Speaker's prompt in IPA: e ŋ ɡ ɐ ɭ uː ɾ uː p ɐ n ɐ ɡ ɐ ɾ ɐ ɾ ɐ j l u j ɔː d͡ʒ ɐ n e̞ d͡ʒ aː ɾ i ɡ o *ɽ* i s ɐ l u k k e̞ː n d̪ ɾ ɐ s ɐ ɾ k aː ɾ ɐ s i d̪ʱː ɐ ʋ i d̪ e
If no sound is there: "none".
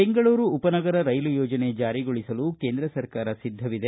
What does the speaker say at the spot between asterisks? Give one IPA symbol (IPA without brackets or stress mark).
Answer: ɭ